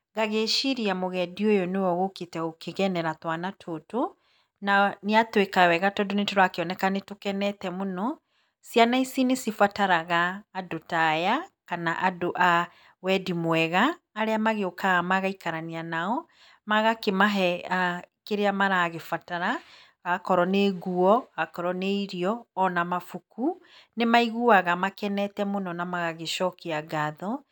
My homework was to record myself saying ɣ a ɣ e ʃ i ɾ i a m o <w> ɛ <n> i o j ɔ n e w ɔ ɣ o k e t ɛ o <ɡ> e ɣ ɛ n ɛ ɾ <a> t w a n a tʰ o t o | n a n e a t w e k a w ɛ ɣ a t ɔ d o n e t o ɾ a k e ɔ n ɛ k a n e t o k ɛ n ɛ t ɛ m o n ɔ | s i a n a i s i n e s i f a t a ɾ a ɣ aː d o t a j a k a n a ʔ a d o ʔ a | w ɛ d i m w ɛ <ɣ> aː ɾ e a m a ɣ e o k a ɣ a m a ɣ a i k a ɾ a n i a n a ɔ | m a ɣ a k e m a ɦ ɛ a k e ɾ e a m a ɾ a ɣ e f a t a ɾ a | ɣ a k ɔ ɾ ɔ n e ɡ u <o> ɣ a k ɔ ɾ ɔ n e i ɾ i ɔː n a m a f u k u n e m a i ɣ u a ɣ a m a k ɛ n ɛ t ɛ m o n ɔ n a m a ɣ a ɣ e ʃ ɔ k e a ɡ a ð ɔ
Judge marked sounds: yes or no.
no, no, no, yes, yes, no

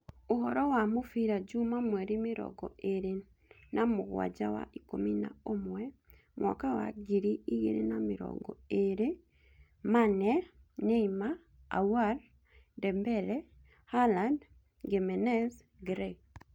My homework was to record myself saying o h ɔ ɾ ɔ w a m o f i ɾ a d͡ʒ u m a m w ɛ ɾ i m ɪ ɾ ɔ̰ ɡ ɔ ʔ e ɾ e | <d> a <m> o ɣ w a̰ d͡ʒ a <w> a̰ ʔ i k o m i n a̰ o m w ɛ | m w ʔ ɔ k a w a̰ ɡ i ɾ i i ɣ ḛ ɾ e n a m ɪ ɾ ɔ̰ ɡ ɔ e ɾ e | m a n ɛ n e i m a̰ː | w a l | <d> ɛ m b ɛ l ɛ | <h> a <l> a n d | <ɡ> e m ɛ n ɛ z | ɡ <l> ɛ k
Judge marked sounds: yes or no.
no, yes, yes, yes, yes, yes, yes, no

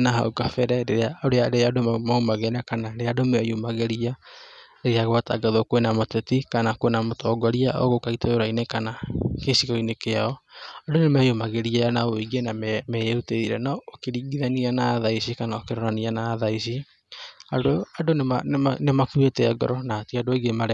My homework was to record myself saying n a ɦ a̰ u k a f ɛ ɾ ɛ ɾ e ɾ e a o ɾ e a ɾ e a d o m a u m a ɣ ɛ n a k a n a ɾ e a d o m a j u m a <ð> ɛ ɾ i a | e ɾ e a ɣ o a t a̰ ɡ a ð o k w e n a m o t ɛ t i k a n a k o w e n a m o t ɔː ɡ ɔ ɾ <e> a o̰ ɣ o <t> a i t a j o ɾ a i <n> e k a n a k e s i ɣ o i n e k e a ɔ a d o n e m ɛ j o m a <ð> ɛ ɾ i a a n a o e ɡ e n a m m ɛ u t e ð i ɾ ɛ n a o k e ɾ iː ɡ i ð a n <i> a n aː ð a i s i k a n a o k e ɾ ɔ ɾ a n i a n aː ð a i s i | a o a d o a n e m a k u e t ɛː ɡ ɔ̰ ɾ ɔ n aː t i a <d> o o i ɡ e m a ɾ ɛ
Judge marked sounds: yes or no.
no, no, no, yes, no, yes, yes

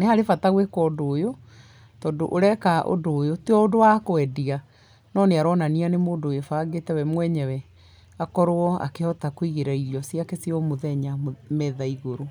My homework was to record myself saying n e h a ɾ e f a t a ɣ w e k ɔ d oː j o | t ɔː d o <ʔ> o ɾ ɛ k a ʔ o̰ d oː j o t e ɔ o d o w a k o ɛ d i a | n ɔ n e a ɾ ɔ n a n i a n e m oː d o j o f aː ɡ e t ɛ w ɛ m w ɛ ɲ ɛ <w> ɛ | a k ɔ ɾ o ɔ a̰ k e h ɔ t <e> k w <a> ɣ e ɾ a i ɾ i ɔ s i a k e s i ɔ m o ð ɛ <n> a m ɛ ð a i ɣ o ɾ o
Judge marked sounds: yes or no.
yes, yes, no, no, no

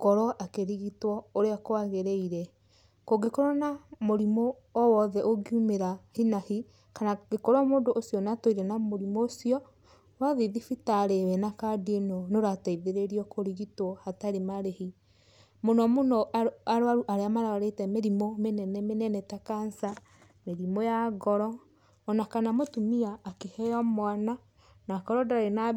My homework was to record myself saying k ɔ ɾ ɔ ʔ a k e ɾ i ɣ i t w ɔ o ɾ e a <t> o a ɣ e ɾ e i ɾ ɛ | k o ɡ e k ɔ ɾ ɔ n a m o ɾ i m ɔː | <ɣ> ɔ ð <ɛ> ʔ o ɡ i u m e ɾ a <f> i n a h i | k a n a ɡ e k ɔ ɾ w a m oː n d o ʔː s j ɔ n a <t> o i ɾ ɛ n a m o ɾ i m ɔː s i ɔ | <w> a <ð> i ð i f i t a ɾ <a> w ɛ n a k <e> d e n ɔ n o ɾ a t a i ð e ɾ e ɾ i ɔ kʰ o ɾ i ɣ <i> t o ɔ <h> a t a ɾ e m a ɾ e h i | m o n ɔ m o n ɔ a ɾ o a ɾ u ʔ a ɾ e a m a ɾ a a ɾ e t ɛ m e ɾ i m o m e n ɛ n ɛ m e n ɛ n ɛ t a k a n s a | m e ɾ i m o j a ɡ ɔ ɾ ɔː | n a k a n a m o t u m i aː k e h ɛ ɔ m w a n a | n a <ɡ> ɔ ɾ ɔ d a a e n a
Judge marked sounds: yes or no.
no, no, yes, no, yes, yes, yes, no, no, yes, yes, no

